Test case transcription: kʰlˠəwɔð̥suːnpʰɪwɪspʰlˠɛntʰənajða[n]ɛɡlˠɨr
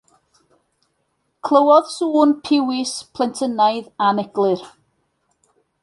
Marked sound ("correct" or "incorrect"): correct